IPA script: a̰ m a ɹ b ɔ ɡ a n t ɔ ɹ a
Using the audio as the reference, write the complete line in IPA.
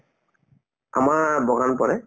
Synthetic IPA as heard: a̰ m a ɹ b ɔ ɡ a n p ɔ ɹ ɛ